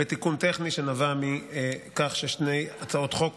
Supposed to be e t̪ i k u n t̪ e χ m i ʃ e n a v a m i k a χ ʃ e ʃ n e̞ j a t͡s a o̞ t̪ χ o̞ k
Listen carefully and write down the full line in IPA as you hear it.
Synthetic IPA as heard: e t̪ i k u n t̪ e χ n i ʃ e n a v a m i k a χ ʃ e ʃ n e̞ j a t͡s a o̞ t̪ χ o̞ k